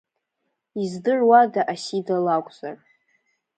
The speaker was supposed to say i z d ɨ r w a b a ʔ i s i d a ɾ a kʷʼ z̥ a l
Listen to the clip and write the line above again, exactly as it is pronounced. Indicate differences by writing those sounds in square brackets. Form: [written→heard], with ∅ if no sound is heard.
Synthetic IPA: i z d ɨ r w a [b→d] a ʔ [i→a] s i d a [ɾ→l] a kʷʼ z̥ a [l→r]